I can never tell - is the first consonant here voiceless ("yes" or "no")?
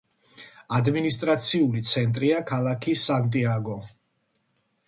no